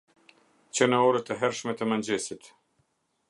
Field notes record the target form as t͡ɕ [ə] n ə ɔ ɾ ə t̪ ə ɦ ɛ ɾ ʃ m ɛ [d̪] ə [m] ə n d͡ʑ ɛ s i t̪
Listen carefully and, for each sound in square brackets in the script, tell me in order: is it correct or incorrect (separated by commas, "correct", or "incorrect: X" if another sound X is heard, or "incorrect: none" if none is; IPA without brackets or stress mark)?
correct, incorrect: t̪, correct